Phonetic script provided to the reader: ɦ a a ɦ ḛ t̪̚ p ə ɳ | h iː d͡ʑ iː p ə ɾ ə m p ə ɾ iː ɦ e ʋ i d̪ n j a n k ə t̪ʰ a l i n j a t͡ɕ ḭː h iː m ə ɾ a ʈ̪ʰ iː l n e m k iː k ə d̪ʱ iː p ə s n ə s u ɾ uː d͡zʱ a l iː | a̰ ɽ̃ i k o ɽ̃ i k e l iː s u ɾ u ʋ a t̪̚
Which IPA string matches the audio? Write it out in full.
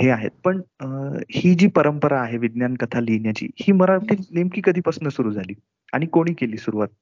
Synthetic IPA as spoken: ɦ e a ɦ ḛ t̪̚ p ə ɳ | h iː d͡ʑ iː p ə ɾ ə m p ə ɾ aː ɦ e ʋ i d̪ n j a n k ə t̪ʰ a l i n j a t͡ɕ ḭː h iː m ə ɾ a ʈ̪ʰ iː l n e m k iː k ə d̪ʱ iː p ə s n ə s u ɾ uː d͡zʱ a l iː | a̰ ɽ̃ i k o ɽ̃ iː k e l iː s u ɾ u ʋ a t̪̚